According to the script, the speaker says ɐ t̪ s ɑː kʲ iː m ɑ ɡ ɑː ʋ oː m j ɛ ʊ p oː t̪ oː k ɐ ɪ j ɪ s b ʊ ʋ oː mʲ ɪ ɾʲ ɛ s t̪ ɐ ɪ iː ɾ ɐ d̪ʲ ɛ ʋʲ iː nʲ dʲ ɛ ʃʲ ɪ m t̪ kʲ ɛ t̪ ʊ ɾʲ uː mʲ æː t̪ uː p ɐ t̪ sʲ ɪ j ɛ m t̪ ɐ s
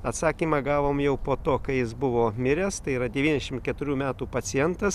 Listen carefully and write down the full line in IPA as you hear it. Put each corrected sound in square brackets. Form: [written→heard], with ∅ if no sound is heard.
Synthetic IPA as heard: ɐ t̪ s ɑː kʲ iː m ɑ ɡ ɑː ʋ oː m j ɛ ʊ p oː t̪ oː k ɐ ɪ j ɪ s b ʊ ʋ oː mʲ ɪ ɾʲ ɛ s t̪ ɐ ɪ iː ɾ ɐ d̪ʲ ɛ ʋʲ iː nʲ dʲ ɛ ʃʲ ɪ m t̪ kʲ ɛ t̪ ʊ ɾʲ uː mʲ æː t̪ uː p ɐ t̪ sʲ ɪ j ɛ [m→n] t̪ ɐ s